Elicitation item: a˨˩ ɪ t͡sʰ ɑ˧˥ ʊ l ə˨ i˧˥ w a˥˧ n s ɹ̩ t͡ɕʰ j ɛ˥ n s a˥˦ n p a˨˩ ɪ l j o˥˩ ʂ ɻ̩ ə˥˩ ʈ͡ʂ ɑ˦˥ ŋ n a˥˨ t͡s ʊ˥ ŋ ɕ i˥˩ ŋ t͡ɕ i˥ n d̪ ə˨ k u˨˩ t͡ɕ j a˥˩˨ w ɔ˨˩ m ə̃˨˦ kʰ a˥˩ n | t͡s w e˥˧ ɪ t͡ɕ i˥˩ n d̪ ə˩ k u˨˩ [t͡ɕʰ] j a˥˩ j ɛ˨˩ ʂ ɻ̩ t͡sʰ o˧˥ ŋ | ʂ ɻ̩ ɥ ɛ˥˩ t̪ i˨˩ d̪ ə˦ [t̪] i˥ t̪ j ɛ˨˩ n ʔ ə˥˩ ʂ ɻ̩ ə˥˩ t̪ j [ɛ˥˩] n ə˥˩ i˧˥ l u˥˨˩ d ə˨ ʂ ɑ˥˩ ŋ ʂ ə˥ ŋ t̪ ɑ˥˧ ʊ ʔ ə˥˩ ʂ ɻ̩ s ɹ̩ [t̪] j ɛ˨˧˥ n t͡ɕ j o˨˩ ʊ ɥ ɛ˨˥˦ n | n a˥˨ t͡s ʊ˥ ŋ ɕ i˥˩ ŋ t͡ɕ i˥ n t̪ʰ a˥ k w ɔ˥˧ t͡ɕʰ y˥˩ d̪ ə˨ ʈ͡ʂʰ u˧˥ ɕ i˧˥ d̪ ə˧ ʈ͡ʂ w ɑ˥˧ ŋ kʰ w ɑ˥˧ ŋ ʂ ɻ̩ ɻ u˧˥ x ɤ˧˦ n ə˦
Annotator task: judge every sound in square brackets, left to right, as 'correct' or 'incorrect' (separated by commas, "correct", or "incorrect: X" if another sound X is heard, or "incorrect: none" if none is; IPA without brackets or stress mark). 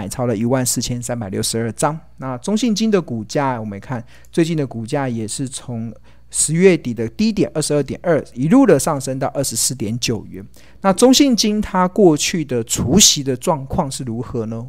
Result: incorrect: t͡ɕ, correct, incorrect: ɛ˨˩, correct